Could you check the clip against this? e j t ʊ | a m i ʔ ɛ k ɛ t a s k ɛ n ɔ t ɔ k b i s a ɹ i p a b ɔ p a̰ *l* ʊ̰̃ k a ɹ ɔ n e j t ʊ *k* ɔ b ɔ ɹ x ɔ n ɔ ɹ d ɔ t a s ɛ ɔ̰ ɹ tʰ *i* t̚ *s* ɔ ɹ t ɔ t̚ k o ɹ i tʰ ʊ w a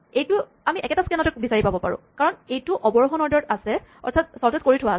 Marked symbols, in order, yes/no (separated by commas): no, no, no, yes